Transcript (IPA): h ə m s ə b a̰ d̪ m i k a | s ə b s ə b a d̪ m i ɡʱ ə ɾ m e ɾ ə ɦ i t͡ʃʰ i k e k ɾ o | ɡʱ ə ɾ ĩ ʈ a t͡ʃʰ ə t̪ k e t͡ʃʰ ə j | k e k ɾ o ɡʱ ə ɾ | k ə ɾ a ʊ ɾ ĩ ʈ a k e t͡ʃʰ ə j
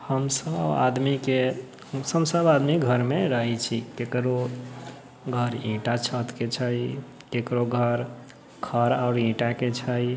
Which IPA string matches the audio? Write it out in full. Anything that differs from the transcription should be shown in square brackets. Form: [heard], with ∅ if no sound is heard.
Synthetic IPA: h ə m s ə b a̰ d̪ m i k [e] | s ə b s ə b a d̪ m i ɡʱ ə ɾ m e ɾ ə ɦ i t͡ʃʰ i k e k ɾ o | ɡʱ ə ɾ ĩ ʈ a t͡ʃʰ ə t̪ k e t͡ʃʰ ə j | k e k ɾ o ɡʱ ə ɾ | [kʰ] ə ɾ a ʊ ɾ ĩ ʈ a k e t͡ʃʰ ə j